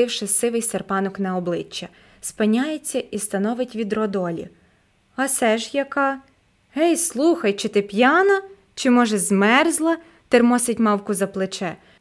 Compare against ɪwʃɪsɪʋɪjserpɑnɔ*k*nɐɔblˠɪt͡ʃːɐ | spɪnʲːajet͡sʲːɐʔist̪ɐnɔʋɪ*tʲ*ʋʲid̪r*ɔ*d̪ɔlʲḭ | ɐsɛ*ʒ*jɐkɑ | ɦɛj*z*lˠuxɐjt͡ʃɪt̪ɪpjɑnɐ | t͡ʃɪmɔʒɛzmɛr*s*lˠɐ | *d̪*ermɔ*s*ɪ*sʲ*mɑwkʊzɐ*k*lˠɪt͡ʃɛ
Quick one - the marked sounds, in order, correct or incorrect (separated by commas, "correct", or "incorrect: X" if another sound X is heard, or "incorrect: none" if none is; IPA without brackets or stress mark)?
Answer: correct, correct, correct, correct, incorrect: s, incorrect: z, incorrect: t̪, correct, incorrect: tʲ, incorrect: p